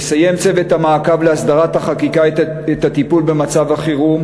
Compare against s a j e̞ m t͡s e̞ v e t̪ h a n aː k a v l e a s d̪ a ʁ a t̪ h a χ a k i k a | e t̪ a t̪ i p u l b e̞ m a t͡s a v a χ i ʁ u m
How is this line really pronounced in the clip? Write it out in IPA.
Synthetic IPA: s a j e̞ m t͡s e̞ v e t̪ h a m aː k a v l e a s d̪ a ʁ a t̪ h a χ a k i k a | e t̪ a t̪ i p u l b e̞ m a t͡s a v a χ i ʁ u m